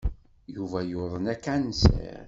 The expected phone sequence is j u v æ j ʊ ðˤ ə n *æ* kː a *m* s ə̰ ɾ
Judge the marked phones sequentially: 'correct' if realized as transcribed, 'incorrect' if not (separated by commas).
correct, incorrect